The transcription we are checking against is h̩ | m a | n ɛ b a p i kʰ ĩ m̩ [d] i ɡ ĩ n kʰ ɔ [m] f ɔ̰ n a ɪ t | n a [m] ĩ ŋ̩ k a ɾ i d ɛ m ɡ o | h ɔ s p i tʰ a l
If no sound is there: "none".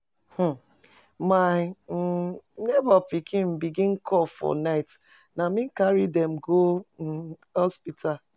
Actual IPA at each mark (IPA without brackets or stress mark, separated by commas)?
b, none, m